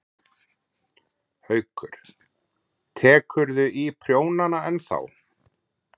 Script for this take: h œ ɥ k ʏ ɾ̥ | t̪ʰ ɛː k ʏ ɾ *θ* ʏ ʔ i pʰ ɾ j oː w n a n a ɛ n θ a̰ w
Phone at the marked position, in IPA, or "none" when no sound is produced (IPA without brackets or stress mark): ð